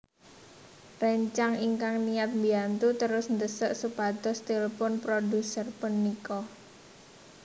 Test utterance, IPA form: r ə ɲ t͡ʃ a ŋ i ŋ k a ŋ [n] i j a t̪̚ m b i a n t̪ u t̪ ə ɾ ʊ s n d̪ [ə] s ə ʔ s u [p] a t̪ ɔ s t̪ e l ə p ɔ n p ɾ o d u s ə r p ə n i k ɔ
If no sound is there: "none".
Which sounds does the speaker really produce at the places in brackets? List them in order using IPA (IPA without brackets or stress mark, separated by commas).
n, ə, p